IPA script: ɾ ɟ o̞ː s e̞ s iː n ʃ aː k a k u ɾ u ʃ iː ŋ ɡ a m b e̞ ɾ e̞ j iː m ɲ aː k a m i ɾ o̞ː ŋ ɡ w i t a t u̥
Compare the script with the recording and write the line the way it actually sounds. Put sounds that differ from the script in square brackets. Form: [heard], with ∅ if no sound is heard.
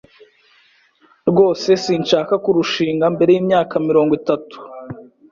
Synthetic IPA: ɾ [ɡ] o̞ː s e̞ s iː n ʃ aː k a k u ɾ u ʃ iː ŋ ɡ a m b e̞ ɾ e̞ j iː m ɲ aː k a m i ɾ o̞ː ŋ ɡ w i t a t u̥